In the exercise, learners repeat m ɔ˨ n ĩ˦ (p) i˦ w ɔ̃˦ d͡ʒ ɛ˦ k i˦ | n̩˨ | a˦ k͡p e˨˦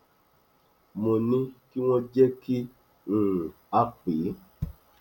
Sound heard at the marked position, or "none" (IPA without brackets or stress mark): k